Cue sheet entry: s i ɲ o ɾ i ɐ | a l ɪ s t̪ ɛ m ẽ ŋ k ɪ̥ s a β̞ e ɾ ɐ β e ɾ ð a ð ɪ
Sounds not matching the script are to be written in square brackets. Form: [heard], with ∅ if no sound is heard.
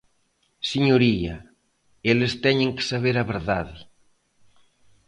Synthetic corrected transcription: s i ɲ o ɾ i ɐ | [e] l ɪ s t̪ ɛ [ɲ] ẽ ŋ k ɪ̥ s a β̞ e ɾ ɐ β e ɾ ð a ð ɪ